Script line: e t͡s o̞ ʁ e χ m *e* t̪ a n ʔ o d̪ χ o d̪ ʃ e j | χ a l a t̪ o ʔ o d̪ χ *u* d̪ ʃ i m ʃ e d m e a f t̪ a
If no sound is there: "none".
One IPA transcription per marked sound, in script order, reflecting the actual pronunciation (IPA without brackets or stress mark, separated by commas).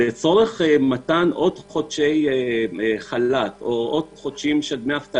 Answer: a, o